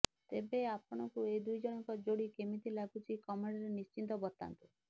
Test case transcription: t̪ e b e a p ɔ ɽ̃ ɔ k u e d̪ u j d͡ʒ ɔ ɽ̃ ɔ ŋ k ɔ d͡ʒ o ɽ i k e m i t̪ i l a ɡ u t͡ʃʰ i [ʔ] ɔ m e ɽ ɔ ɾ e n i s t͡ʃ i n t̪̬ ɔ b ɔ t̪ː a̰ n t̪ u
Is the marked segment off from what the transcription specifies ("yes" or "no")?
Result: yes